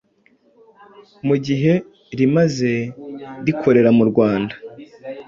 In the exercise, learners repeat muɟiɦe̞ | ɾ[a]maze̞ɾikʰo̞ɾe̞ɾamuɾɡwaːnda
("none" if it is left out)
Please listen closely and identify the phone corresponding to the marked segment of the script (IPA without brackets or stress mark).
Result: i